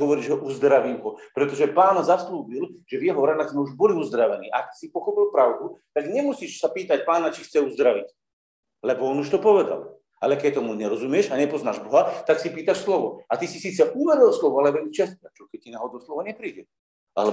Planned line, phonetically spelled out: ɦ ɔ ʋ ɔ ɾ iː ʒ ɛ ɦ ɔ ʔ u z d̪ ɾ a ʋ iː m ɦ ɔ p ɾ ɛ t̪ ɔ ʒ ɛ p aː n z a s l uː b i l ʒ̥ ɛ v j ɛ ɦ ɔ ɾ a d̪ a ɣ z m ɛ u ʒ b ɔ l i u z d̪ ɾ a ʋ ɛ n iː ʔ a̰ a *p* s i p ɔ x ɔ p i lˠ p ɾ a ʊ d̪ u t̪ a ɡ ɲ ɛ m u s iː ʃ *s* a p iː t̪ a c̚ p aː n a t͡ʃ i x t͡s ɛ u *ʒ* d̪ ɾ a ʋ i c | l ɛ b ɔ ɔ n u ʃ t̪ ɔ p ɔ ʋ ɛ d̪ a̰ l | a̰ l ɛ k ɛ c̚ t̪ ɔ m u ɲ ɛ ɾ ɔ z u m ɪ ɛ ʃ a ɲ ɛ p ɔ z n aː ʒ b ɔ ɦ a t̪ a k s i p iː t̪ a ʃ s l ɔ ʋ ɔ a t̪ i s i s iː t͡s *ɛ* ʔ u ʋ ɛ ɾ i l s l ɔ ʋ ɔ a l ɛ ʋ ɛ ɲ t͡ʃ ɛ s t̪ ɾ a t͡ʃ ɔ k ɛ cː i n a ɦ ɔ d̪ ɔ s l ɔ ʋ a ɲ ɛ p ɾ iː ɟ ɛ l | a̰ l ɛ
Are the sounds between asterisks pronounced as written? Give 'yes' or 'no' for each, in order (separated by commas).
no, yes, no, yes